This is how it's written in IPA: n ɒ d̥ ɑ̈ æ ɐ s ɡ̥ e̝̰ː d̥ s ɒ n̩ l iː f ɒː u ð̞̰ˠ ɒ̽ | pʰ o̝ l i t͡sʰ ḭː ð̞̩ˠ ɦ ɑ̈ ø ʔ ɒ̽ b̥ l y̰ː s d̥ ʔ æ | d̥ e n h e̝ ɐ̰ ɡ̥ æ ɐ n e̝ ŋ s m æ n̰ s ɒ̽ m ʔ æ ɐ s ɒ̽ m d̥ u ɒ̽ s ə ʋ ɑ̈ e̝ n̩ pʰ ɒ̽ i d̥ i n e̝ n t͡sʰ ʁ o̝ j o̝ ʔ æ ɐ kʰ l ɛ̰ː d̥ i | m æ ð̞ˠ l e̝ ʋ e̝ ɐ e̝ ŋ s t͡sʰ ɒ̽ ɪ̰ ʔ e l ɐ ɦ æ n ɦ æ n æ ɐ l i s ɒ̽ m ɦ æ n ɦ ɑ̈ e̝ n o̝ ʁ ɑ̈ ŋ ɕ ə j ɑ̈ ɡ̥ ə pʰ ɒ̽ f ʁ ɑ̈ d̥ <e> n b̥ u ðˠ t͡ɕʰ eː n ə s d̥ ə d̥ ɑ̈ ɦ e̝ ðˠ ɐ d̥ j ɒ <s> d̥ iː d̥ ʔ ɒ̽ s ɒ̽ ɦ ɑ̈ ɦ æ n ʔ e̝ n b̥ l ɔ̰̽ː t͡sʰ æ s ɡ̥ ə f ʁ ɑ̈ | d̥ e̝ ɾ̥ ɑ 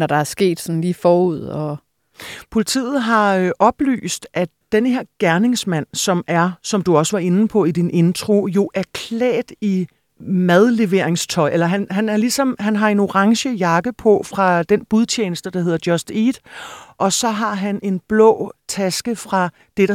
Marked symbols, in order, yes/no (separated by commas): yes, yes